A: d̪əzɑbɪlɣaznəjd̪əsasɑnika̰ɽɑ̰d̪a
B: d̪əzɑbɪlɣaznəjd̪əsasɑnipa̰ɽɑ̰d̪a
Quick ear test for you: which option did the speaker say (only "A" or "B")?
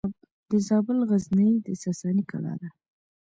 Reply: A